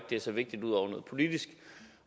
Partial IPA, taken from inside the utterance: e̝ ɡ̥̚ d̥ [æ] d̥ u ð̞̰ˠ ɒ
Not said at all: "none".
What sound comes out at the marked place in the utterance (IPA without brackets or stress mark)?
i